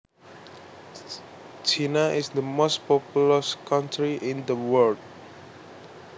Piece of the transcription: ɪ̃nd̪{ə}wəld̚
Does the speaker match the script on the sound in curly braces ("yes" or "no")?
yes